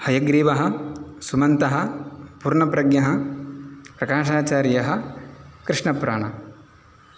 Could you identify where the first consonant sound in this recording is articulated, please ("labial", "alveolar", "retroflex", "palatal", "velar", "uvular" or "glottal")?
glottal